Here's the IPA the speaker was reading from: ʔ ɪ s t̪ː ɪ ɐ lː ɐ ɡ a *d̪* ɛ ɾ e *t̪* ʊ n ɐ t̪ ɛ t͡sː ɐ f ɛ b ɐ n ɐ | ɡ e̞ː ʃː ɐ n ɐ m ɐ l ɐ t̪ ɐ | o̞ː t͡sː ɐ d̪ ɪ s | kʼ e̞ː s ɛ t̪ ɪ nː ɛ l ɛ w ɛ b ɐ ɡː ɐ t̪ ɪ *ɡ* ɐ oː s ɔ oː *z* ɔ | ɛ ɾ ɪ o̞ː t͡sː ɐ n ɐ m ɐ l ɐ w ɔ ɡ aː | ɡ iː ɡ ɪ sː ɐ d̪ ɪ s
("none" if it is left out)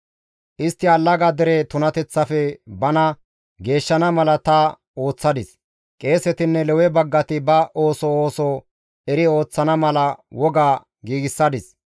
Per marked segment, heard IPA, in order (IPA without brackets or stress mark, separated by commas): d̪, t̪, b, s